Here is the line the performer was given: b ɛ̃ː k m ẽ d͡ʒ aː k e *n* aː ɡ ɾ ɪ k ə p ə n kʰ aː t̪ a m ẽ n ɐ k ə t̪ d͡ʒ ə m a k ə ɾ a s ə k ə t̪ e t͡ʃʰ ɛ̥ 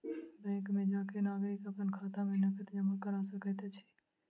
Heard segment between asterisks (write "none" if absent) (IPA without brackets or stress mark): n